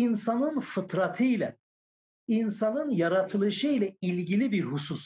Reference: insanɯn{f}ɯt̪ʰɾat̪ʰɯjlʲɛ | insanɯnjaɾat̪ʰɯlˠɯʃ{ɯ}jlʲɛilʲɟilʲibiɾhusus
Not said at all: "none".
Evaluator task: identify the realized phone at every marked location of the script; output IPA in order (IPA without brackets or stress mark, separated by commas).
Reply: f, ɯ